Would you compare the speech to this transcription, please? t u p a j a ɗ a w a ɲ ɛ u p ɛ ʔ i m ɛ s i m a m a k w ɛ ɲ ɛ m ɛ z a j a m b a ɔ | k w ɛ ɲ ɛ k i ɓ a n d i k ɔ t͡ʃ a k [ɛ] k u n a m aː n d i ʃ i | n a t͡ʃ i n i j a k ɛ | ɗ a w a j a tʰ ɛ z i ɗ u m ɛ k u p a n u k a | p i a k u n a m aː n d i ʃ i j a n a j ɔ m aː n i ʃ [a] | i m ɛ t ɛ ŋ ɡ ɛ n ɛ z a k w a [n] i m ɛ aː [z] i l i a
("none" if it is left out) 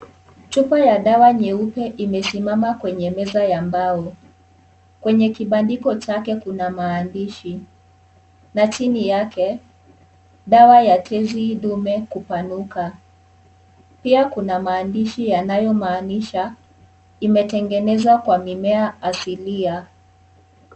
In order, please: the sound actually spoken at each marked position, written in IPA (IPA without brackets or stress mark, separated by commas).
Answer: ɛ, a, m, s